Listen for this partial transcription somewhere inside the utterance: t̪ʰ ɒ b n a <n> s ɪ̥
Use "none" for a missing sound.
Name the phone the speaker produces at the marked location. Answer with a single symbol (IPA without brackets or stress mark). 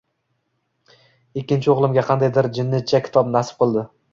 none